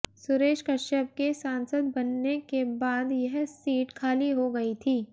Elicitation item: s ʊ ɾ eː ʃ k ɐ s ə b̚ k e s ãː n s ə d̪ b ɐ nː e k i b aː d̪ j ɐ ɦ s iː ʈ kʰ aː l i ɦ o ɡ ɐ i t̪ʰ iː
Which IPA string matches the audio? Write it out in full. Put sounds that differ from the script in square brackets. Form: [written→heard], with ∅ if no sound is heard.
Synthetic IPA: s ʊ ɾ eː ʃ k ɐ [s→ʃ] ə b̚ k e s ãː n s ə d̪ b ɐ nː e k [i→e] b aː d̪ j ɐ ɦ s iː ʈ kʰ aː l i ɦ o ɡ ɐ i t̪ʰ iː